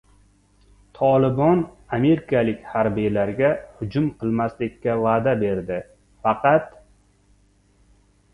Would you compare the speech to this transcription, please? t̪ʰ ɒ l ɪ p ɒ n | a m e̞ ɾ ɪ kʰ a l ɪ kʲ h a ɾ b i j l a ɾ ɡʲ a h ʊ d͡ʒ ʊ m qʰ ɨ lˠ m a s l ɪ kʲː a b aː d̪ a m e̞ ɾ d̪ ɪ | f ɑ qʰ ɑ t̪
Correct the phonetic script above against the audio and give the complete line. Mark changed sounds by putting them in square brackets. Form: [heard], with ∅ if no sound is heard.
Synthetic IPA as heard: t̪ʰ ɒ l ɪ [b] ɒ n | a m e̞ ɾ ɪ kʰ a l ɪ kʲ h a ɾ b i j l a ɾ ɡʲ a h ʊ d͡ʒ ʊ m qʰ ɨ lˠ m a s l ɪ kʲː a [v] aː d̪ a [b] e̞ ɾ d̪ ɪ | f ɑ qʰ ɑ t̪